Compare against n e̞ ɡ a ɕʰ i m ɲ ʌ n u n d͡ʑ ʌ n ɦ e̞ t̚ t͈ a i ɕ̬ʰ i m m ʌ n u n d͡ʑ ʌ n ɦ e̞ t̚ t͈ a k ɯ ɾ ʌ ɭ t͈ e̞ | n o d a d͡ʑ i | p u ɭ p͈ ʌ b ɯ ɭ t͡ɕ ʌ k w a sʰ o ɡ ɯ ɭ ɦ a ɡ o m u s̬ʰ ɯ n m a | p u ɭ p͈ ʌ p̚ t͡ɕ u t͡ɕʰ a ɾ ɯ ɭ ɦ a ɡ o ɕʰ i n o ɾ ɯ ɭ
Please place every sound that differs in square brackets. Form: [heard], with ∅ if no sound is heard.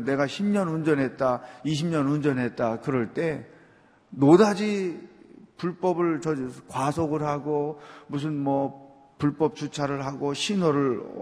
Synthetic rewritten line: n e̞ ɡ a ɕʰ i m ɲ ʌ n u n d͡ʑ ʌ n ɦ e̞ t̚ t͈ a i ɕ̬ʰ i m [ɲ] ʌ n u n d͡ʑ ʌ n ɦ e̞ t̚ t͈ a k ɯ ɾ ʌ ɭ t͈ e̞ | n o d a d͡ʑ i | p u ɭ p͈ ʌ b ɯ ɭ t͡ɕ ʌ k w a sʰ o ɡ ɯ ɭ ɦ a ɡ o m u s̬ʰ ɯ n m [ʌ] | p u ɭ p͈ ʌ p̚ t͡ɕ u t͡ɕʰ a ɾ ɯ ɭ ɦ a ɡ o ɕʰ i n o ɾ ɯ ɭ